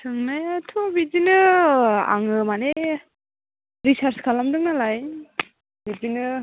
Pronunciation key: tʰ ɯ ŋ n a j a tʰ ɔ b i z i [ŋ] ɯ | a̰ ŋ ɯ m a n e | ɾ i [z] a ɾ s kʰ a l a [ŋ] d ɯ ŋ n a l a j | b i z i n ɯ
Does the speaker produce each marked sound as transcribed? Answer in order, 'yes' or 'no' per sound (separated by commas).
no, no, no